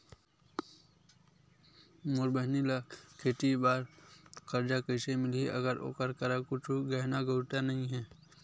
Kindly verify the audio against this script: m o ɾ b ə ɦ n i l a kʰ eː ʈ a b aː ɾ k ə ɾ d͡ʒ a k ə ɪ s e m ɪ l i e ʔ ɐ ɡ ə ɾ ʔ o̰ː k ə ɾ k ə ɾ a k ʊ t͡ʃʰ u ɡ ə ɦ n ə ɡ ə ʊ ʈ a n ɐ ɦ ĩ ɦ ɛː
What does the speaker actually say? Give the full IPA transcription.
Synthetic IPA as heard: m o ɾ b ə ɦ n i l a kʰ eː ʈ i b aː ɾ k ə ɾ d͡ʒ a k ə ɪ s e m ɪ l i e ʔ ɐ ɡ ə ɾ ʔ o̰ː k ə ɾ k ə ɾ a k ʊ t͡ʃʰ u ɡ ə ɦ n a ɡ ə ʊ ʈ a n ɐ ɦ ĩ ɦ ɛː